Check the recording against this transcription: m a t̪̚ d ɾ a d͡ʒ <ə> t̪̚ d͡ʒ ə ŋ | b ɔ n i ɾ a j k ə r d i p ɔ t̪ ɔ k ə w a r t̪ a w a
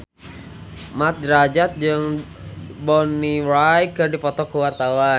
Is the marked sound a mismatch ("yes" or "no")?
yes